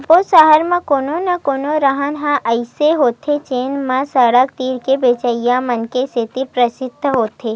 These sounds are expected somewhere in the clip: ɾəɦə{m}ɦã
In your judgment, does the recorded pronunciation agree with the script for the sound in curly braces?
no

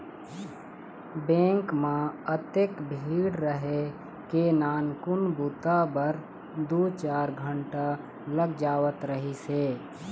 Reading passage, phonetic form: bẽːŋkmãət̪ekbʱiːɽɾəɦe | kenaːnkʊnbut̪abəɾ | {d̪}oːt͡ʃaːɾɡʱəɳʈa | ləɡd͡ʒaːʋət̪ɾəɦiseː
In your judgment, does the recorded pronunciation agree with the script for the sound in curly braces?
yes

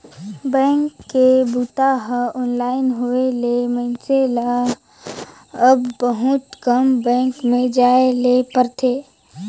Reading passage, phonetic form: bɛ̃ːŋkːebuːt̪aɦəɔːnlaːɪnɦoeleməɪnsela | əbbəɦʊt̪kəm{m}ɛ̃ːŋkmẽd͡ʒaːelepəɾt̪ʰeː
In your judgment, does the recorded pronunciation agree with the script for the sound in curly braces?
no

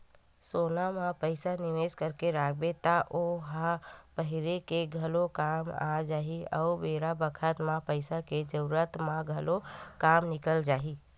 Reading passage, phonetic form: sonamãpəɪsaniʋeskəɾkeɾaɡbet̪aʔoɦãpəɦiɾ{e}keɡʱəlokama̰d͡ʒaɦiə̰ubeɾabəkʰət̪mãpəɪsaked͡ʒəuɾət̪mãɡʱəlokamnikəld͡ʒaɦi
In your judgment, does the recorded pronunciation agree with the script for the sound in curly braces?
yes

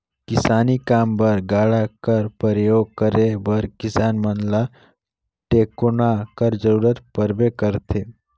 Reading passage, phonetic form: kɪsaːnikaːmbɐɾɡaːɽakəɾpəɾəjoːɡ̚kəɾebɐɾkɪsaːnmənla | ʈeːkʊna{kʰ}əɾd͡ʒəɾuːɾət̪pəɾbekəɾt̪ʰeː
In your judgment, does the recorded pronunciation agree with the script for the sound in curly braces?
no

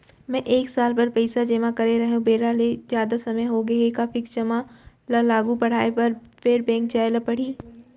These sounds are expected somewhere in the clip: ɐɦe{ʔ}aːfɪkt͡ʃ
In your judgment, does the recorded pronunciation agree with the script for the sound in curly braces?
no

